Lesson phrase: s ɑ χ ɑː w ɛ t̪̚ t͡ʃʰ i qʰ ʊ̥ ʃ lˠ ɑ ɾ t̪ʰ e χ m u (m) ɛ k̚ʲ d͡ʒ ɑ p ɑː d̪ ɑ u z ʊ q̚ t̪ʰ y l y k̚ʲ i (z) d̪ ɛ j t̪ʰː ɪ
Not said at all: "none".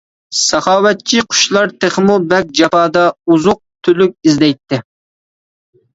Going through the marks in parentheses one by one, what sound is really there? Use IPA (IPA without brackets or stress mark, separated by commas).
b, z